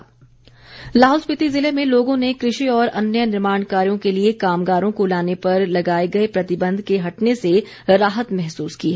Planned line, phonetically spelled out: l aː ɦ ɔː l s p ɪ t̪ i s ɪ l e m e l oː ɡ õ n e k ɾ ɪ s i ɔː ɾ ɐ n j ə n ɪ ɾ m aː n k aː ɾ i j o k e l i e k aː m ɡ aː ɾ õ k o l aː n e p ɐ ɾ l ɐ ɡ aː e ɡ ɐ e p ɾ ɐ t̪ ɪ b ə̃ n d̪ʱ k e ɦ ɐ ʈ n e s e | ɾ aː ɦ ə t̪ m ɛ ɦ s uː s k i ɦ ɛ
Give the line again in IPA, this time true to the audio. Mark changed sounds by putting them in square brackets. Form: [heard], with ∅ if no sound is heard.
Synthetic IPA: l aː ɦ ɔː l s p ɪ t̪ i [z] ɪ l e m [ẽ] l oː ɡ õ n e k ɾ ɪ [ʃ] i ɔː ɾ ɐ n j ə n ɪ ɾ m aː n k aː ɾ i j [õ] k e l i e k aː m ɡ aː ɾ õ k o l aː n e p ɐ ɾ l ɐ ɡ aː e ɡ ɐ e p ɾ ɐ t̪ ɪ b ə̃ n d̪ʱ k e ɦ ɐ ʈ n e s e | ɾ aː ɦ ə t̪ m ɛ ɦ s uː s k i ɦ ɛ